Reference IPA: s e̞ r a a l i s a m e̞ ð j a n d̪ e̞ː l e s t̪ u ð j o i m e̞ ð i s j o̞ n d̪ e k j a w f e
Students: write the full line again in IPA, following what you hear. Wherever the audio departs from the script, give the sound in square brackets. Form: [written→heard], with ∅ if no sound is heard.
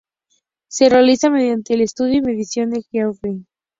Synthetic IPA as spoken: s e̞ r [a→e] a l i s a m e̞ ð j a n [d̪→t̪] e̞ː l e s t̪ u ð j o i m e̞ ð i s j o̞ n d̪ e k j a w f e